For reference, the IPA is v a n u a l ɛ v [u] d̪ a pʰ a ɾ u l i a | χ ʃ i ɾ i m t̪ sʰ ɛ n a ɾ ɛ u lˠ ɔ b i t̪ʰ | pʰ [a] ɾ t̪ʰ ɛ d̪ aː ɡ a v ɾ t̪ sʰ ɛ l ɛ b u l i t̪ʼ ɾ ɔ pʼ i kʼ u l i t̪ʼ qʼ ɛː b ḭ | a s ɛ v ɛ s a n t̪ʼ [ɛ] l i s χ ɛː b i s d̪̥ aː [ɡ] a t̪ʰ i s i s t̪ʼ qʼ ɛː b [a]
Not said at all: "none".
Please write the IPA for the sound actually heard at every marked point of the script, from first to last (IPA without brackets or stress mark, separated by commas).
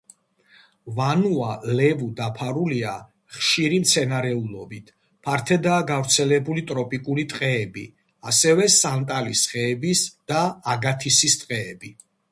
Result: u, a, a, ɡ, i